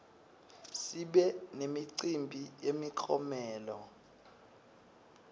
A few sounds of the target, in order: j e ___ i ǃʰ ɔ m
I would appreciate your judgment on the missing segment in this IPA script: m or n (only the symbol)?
m